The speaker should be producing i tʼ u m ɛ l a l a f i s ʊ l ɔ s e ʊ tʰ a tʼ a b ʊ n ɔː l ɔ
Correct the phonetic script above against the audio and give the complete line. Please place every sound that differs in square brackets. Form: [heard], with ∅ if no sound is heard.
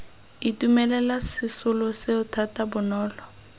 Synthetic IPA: i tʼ u m ɛ l [ɛ] l a [s] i s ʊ l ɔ s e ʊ tʰ a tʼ a b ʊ n ɔː l ɔ